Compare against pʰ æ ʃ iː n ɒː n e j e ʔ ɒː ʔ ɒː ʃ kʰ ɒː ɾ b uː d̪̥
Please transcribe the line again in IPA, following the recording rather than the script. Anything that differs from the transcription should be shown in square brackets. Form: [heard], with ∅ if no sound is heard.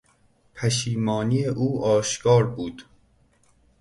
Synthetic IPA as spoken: pʰ æ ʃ iː [m] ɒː n [i] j e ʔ [uː] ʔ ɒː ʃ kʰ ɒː ɾ b uː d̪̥